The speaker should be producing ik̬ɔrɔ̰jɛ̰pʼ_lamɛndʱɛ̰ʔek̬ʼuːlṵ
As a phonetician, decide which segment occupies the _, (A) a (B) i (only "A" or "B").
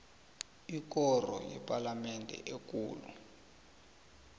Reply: A